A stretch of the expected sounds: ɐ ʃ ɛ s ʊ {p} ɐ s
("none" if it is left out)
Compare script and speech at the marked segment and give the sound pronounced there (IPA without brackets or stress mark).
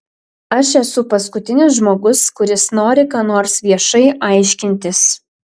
p